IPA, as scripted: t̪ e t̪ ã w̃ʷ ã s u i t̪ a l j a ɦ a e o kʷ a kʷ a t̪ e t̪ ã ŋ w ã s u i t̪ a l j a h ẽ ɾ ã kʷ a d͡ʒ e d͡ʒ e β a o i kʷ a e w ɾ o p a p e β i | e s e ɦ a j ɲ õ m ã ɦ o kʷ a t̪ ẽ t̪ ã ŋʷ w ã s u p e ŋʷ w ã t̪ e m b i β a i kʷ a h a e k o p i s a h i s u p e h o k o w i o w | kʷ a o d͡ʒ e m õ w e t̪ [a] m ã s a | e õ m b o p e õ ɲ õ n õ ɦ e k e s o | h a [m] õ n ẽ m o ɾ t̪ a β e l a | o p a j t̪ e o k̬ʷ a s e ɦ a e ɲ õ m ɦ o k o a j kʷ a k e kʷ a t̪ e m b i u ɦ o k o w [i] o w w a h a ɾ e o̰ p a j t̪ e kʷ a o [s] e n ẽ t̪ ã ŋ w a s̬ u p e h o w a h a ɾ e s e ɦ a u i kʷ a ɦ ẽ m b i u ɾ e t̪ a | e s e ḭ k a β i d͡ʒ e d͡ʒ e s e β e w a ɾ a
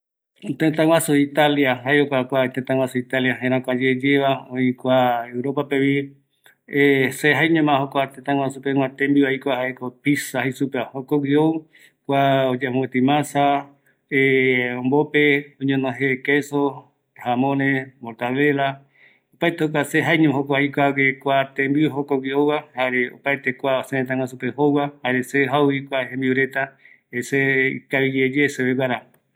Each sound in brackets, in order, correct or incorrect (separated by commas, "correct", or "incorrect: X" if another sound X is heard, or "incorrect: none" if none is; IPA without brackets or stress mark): incorrect: i, correct, correct, correct